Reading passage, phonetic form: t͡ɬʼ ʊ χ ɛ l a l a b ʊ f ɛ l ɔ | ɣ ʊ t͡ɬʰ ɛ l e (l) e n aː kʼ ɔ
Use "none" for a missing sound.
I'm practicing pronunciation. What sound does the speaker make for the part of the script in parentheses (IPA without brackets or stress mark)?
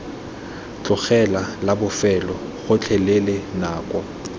l